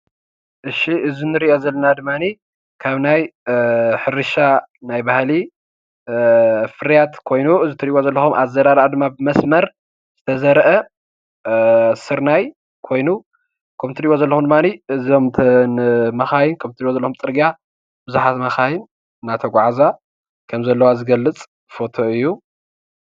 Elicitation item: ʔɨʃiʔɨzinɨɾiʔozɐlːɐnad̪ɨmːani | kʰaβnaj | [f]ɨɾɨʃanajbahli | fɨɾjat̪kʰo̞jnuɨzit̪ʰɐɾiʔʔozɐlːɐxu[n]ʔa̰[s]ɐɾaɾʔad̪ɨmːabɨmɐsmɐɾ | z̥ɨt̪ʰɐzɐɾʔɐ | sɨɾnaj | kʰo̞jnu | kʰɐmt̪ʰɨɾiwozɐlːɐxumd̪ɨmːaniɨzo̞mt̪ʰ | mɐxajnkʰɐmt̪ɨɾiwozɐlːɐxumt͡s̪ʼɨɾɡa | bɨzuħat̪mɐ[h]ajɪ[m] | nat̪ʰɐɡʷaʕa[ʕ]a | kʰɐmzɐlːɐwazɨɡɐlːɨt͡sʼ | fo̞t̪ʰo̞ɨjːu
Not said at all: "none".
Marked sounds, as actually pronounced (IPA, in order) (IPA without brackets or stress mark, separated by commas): ħ, m, z, x, n, z